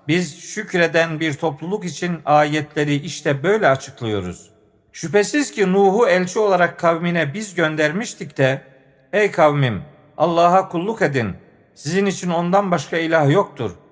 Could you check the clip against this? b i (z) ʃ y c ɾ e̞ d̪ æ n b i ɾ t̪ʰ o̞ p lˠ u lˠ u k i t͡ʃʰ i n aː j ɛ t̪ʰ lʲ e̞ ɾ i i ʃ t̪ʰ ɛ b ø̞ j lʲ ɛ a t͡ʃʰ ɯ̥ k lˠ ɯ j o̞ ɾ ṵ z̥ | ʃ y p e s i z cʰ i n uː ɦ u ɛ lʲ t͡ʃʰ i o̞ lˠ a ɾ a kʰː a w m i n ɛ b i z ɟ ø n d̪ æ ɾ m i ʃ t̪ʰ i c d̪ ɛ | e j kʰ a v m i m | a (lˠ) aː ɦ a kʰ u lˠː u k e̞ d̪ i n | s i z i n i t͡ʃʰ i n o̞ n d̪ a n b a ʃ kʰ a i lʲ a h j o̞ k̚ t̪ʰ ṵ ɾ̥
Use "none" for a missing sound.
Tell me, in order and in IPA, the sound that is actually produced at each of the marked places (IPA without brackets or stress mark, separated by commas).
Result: z, lˠː